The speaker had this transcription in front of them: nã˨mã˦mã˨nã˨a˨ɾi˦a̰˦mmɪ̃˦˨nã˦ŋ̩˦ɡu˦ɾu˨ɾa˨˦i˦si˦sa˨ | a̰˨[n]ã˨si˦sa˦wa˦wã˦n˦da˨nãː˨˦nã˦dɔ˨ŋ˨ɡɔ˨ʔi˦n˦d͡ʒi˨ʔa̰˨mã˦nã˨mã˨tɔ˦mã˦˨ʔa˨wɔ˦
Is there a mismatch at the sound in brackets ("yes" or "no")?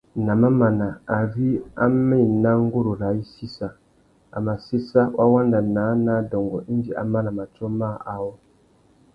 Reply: yes